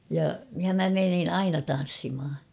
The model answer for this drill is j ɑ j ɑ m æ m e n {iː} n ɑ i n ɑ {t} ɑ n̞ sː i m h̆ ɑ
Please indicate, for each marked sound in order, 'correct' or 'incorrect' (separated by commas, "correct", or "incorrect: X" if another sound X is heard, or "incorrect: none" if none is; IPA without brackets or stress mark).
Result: incorrect: i, correct